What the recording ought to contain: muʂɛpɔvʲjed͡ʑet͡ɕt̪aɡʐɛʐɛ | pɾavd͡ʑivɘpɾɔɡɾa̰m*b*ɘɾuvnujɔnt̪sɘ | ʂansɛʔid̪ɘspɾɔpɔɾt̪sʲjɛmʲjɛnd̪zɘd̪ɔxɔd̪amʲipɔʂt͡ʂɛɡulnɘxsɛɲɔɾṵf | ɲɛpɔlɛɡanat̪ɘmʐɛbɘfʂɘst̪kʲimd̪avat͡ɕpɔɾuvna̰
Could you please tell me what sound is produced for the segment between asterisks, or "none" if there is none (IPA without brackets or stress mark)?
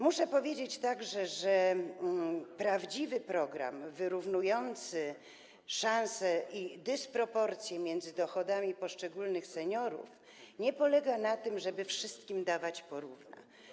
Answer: v